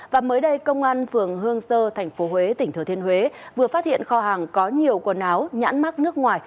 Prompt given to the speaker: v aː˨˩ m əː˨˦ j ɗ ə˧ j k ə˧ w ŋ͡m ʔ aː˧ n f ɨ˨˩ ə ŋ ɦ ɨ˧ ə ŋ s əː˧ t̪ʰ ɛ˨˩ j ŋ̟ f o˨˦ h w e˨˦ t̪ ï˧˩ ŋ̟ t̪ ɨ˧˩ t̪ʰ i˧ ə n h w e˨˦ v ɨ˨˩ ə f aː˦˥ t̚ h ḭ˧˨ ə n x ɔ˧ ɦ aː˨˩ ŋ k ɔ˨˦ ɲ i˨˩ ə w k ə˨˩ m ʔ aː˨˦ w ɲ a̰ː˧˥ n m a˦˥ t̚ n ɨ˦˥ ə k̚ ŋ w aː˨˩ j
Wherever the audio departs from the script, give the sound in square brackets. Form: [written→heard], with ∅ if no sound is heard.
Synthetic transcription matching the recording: v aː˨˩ m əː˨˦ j ɗ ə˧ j k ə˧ w ŋ͡m ʔ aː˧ n f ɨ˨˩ ə ŋ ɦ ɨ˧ ə ŋ s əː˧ t̪ʰ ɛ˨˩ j ŋ̟ f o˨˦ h w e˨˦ t̪ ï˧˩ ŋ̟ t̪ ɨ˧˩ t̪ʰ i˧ ə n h w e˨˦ v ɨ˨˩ ə f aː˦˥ t̚ h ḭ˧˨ ə n x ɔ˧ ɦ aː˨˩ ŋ k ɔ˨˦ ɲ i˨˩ ə w k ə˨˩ [m→n] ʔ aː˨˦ w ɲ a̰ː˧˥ n m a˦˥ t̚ n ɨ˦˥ ə k̚ ŋ w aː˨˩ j

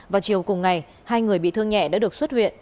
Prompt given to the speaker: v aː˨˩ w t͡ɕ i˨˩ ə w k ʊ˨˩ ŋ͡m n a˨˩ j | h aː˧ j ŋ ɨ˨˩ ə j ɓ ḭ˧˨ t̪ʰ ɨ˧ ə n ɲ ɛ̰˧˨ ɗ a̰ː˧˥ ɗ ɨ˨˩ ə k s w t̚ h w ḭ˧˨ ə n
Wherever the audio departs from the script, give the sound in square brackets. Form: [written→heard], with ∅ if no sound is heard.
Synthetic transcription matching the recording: v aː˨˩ w t͡ɕ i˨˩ ə w k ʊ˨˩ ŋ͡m [n→ŋ] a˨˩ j | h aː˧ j ŋ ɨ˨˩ ə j ɓ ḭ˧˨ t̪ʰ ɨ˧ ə [n→ŋ] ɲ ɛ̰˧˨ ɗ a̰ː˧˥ ɗ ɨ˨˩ ə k s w t̚ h w ḭ˧˨ ə n

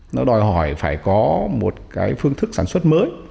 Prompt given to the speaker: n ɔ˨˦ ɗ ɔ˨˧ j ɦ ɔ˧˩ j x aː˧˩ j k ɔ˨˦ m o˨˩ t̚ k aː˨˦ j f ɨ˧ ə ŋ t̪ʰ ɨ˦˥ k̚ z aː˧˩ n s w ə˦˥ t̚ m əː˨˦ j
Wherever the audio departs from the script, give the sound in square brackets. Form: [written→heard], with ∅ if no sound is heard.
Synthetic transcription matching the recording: n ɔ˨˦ ɗ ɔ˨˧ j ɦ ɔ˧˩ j [x→f] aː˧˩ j k ɔ˨˦ m o˨˩ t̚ k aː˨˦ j f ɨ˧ ə ŋ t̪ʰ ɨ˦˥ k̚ [z→s] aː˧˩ n s w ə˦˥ t̚ m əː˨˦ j

